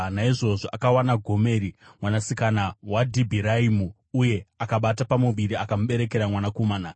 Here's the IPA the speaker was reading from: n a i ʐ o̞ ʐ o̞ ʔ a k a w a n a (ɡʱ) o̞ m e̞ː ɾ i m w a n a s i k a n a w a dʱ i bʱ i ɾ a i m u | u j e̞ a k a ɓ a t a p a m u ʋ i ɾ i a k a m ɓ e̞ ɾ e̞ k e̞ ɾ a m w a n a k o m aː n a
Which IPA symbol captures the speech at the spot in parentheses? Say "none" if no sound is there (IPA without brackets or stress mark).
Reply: ɡʱ